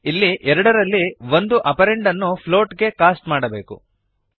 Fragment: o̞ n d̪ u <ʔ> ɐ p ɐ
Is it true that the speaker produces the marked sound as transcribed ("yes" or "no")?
yes